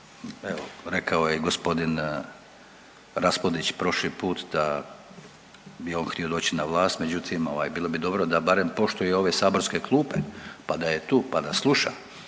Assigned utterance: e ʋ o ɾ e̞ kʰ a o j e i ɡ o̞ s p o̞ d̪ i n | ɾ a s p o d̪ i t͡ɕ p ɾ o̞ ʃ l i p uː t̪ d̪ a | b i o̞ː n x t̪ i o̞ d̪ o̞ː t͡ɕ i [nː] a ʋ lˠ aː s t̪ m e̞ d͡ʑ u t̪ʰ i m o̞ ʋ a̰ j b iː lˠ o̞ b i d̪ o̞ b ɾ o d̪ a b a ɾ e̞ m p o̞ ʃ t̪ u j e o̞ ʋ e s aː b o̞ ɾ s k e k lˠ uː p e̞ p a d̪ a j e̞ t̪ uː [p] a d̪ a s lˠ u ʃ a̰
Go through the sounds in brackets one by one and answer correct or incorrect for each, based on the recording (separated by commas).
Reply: incorrect, correct